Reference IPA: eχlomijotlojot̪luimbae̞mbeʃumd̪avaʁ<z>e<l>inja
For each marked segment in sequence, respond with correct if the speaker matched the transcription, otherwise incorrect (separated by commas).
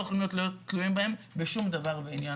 incorrect, incorrect